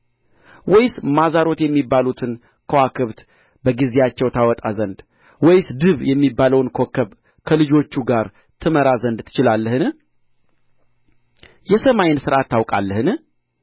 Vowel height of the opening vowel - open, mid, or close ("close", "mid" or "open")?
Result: mid